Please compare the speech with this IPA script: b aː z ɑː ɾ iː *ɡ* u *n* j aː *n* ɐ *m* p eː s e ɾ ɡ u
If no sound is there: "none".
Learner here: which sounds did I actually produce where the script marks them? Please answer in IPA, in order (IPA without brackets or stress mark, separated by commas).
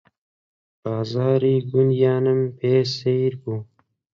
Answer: ɡ, n, n, m